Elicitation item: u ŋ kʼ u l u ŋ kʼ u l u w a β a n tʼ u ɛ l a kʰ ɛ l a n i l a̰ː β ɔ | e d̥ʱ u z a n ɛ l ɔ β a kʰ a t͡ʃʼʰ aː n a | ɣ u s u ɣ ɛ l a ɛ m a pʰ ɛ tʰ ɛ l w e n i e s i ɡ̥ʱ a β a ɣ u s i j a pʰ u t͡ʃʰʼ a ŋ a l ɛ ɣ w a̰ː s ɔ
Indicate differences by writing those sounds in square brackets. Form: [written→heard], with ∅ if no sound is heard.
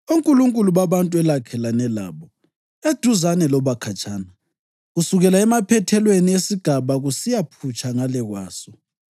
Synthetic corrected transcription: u ŋ kʼ u l u ŋ kʼ u l u [w→β] a β a n tʼ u ɛ l a kʰ ɛ l a n [i→ɛ] l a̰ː β ɔ | e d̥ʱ u z a n ɛ l ɔ β a kʰ a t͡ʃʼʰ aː n a | ɣ u s u ɣ ɛ l a ɛ m a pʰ ɛ tʰ ɛ l w e n i e s i ɡ̥ʱ a β a ɣ u s i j a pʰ u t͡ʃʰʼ a ŋ a l ɛ ɣ w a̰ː s ɔ